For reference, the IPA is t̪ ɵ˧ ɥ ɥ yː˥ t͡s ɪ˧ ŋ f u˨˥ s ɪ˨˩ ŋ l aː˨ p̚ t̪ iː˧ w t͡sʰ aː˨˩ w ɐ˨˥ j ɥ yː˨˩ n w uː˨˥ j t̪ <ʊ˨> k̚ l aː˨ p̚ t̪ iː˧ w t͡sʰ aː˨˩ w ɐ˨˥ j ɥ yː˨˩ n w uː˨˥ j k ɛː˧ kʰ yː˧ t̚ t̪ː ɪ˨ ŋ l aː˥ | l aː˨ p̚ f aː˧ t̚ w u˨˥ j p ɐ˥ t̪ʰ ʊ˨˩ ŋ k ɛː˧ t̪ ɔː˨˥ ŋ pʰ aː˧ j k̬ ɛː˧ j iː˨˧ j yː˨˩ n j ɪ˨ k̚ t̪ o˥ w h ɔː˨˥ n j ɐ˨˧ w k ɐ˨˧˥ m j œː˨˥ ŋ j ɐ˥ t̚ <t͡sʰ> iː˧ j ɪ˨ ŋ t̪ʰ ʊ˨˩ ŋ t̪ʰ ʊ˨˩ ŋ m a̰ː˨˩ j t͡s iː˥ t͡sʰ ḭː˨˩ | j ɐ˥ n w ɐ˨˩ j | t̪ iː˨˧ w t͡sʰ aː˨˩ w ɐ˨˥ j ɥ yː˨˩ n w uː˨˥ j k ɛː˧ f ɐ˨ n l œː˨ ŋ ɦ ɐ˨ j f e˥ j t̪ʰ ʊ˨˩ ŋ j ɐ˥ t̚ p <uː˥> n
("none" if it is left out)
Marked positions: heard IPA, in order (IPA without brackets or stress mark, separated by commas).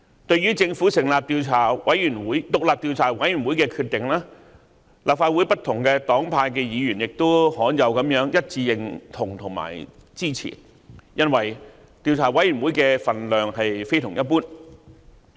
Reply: ʊ˨, t͡s, uː˥